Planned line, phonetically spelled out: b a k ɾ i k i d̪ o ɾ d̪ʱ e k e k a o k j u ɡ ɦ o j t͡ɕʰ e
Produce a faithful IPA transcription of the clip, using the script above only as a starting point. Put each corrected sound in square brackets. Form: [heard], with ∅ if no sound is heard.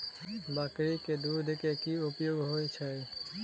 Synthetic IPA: b a k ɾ i k [e] d̪ [u] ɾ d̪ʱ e k e k [i] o [p] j [o] ɡ ɦ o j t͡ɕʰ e